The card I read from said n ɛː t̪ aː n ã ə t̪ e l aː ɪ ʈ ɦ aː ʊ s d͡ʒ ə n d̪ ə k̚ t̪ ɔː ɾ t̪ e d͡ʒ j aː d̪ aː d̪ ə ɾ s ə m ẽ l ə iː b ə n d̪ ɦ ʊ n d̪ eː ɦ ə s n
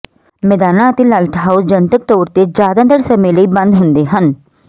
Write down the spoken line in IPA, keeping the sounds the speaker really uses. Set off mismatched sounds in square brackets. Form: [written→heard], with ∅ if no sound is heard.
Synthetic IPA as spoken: [n→m] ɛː [t̪→d̪] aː n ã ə t̪ e l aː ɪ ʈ ɦ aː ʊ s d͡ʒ ə n [d̪→t̪] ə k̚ t̪ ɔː ɾ t̪ e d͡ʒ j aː d̪ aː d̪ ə ɾ s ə m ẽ l ə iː b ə n d̪ ɦ ʊ n d̪ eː ɦ ə [s→∅] n